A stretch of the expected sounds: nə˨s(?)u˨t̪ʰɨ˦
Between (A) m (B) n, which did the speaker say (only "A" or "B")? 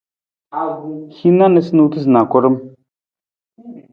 B